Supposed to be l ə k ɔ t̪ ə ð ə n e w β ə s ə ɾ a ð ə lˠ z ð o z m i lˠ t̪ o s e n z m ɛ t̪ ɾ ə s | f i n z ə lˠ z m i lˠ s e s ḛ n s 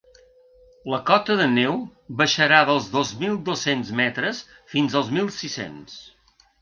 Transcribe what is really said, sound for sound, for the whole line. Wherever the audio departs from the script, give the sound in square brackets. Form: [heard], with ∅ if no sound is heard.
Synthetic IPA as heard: l ə k ɔ t̪ ə ð ə n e w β ə [ʃ] ə ɾ a ð ə lˠ z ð o z m i lˠ [d̪] o s e n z m ɛ t̪ ɾ ə s | f i n z ə lˠ z m i lˠ s [i] s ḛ n s